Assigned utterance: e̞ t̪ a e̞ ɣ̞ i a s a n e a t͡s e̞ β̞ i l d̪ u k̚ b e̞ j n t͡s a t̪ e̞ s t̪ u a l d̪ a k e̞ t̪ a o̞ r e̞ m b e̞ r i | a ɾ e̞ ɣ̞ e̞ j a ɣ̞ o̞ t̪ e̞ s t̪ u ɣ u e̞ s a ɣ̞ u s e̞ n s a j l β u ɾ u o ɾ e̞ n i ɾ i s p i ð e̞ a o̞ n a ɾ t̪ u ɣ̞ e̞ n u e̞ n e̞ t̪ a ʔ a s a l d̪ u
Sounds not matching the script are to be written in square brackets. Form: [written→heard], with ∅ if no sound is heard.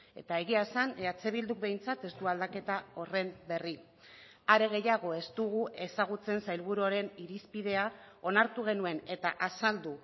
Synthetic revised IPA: e̞ t̪ a e̞ ɣ̞ i a s a n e a t͡s e̞ β̞ i l d̪ u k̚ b e̞ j n t͡s a t̪ e̞ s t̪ u a l d̪ a k e̞ t̪ a o̞ r e̞ m b e̞ r i | a ɾ e̞ ɣ̞ e̞ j a ɣ̞ o̞ [t̪→∅] e̞ s t̪ u ɣ u e̞ s a ɣ̞ u [s→t͡s] e̞ n s a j l β u ɾ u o ɾ e̞ n i ɾ i s p i ð e̞ a o̞ n a ɾ t̪ u ɣ̞ e̞ n u e̞ n e̞ t̪ a ʔ a s a l d̪ u